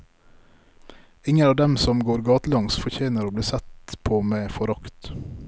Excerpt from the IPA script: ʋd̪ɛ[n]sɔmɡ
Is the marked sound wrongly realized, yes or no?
yes